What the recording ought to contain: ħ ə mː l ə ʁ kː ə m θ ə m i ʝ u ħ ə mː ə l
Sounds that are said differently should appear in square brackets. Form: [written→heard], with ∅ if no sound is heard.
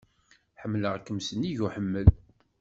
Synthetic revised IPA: ħ ə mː l ə ʁ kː ə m [θ→s] ə [m→n] i ʝ u ħ ə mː ə l